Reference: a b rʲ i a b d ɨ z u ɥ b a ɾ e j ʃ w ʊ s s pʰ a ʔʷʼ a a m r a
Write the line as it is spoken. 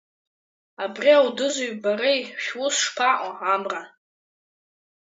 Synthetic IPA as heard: a b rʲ i a w d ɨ z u ɥ b a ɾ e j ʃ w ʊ s ʂ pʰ a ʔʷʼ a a m r a

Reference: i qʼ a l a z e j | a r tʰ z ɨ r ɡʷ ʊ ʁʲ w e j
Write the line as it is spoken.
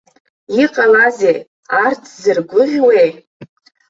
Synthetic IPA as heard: i qʼ a l a z e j | a r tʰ z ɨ r ɡʷ ʊ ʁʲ w e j

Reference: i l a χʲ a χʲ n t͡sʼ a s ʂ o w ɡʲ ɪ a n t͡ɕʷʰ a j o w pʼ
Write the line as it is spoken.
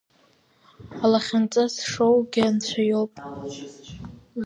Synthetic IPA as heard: a l a χʲ a n t͡sʼ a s ʂ o w ɡʲ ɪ a n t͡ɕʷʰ a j o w pʼ

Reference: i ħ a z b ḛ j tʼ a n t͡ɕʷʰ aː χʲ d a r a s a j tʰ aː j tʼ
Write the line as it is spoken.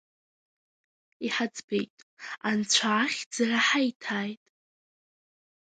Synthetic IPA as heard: i ħ a d͡z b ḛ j tʼ a n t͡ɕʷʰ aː χʲ d͡z a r a ħ a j tʰ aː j tʼ

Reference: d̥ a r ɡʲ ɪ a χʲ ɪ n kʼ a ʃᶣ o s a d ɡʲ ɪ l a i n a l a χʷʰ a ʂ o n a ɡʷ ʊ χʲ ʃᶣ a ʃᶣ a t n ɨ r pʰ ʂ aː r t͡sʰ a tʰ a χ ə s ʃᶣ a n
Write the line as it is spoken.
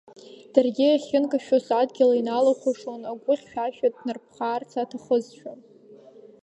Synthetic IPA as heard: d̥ a r ɡʲ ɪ a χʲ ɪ n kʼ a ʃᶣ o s a d ɡʲ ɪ l a i n a l a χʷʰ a ʂ o n a ɡʷ ʊ χʲ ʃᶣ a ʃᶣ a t n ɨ r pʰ χ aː r t͡sʰ a tʰ a χ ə z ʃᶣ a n

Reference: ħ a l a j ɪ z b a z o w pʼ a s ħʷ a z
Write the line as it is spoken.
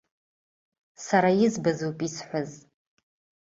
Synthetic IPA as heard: s a ɾ a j ɪ z b a z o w pʼ i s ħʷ a z

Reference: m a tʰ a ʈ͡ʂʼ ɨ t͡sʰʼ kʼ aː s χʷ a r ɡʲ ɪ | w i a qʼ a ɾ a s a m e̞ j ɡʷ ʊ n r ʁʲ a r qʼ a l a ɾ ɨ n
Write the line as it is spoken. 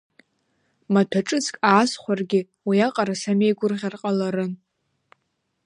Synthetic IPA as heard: m a tʰ a ʈ͡ʂʼ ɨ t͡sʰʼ kʼ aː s χʷ a r ɡʲ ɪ | w i a qʼ a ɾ a s a m e̞ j ɡʷ ʊ r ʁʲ a r qʼ a l a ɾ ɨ n

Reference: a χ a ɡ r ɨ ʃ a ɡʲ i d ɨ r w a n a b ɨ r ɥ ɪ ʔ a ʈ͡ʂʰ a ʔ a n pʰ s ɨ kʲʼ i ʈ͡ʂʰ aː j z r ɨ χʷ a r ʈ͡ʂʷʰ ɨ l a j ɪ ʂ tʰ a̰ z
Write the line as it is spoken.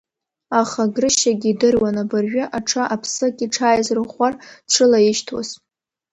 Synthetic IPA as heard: a χ a ɡ r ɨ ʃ a ɡʲ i d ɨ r w a n a b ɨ r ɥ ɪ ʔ a ʈ͡ʂʰ a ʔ a pʰ s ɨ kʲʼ i ʈ͡ʂʰ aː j z r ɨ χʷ a r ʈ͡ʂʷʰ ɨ l a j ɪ ʃ tʰ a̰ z

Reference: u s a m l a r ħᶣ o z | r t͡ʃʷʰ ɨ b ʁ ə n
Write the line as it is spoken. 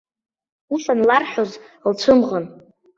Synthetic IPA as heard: u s a n l a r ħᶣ o z | l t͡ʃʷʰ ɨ m ʁ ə n

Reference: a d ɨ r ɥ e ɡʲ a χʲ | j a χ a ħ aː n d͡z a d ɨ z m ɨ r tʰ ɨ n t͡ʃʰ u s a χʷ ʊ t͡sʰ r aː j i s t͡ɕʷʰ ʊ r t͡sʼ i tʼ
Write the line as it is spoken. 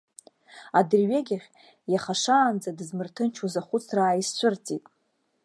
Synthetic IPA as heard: a d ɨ r ɥ e ɡʲ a χʲ | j a χ a ʂ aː n d͡z a d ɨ z m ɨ r tʰ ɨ n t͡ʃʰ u z a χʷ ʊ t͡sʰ r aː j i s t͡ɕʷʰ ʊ r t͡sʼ i tʼ

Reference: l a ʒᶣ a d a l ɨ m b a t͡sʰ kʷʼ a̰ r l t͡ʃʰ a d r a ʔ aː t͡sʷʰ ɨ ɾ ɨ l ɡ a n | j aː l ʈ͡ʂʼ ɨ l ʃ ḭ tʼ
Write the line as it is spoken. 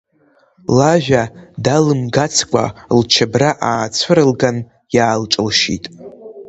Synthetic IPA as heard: l a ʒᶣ a d a l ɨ m ɡ a t͡sʰ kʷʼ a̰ l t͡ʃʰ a b r a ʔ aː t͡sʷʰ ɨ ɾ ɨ l ɡ a n | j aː l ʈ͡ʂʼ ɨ l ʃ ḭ tʼ

